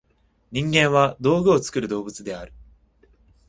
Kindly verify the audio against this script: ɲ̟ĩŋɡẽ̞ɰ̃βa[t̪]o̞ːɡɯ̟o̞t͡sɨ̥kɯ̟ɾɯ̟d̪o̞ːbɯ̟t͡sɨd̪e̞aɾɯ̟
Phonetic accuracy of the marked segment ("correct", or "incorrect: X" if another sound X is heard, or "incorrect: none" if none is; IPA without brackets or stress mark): incorrect: d̪